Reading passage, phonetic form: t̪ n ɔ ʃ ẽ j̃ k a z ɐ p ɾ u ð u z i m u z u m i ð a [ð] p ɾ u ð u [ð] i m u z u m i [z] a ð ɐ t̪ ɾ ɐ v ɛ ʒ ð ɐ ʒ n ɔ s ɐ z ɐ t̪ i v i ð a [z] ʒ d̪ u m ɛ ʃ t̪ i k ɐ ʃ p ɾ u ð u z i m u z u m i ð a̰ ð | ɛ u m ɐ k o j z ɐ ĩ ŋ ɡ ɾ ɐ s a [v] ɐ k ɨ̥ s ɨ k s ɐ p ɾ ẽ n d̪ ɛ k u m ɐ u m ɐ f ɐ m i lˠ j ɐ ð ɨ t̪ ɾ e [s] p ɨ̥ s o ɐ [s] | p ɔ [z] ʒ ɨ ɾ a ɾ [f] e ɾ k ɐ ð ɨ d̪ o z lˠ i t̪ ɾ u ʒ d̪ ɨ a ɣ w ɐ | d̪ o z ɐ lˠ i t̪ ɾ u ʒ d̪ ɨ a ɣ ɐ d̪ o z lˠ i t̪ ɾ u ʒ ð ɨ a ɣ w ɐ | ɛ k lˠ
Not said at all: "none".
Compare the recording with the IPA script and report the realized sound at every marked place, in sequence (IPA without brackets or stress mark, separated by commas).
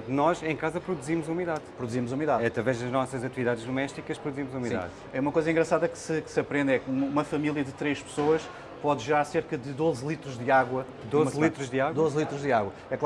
ð, z, ð, ð, ð, ʃ, ʃ, ð, s